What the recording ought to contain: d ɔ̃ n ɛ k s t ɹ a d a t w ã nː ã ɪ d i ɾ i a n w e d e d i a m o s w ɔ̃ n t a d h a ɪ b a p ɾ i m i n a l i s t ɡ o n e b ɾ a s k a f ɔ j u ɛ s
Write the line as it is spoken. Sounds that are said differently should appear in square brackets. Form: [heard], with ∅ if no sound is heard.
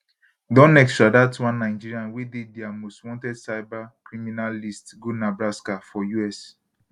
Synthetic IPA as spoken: d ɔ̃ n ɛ k s t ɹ a d a t w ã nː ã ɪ [d͡ʒ] i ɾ i a n w e d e d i a m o s w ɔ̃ n t [ɛ] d [s] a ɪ b a [k] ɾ i m i n a l i s t ɡ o n [a] b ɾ a s k a f ɔ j u ɛ s

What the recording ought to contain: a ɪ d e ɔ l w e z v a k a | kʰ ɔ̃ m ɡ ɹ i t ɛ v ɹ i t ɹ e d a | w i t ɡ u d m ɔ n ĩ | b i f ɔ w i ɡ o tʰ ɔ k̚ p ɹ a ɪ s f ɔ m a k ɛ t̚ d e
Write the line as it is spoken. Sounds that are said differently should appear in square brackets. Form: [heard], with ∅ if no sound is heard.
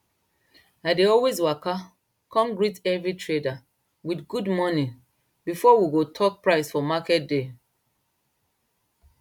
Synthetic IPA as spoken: a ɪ d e ɔ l w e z [w] a k a | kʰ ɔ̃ m ɡ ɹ i t ɛ v ɹ i t ɹ e d a | w i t ɡ u d m ɔ n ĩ | b i f ɔ w i ɡ o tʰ ɔ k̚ p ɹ a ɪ s f ɔ m a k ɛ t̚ d e

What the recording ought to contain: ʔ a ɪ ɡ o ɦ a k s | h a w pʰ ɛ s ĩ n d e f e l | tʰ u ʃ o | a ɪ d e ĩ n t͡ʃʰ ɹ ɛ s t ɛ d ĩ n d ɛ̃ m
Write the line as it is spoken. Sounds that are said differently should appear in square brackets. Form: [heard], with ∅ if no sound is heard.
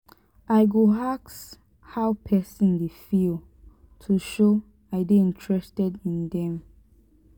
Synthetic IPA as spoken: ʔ a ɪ ɡ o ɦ a k s | h a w pʰ ɛ s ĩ n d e f [i] l | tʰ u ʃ o | a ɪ d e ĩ n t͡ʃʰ ɹ ɛ s t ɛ d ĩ n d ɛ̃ m

